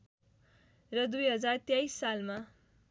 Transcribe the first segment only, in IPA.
r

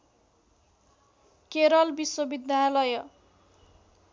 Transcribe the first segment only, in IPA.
k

